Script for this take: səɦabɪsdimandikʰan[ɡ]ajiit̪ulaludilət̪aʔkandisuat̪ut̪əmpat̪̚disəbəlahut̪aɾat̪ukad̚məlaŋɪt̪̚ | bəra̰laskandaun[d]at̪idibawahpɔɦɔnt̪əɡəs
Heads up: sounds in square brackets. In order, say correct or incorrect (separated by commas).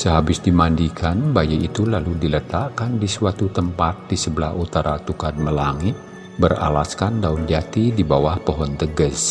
incorrect, incorrect